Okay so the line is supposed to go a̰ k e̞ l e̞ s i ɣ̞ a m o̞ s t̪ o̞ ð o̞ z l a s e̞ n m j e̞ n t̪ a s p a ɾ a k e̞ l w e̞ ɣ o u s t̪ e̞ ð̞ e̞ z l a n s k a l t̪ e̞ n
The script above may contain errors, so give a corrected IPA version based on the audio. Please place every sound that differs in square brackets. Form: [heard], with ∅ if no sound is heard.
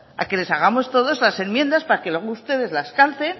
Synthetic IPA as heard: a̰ k e̞ l e̞ s [a] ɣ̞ a m o̞ s t̪ o̞ ð o̞ z l a s e̞ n m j e̞ n [d̪] a s p a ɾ a k e̞ l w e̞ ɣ o u s t̪ e̞ ð̞ e̞ z l a [∅] s k a l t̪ e̞ n